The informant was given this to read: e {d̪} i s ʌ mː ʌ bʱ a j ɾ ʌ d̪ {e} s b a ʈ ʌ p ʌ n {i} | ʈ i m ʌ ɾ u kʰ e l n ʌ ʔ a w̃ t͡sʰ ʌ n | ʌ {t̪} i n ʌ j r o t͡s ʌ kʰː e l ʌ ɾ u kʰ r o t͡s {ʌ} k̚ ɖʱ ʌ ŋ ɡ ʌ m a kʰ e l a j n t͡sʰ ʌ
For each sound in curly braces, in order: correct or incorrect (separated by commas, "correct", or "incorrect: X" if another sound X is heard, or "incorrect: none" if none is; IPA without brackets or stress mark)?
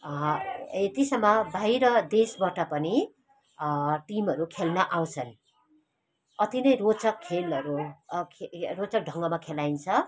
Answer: incorrect: t̪, correct, correct, correct, correct